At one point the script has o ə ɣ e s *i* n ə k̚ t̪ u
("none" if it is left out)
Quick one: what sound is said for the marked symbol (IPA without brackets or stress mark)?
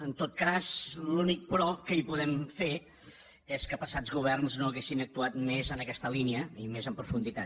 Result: i